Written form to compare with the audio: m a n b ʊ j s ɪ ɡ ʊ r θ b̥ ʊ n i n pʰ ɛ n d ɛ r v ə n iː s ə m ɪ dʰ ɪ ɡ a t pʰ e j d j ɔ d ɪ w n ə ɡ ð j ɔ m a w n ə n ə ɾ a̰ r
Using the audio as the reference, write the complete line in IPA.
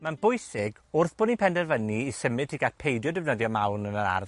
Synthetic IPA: m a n b ʊ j s ɪ ɡ ʊ r θ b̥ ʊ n i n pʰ ɛ n d ɛ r v ə n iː s ə m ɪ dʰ i ɡ a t pʰ e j d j ɔ d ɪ v n ə ð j ɔ m a w n ə n ə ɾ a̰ r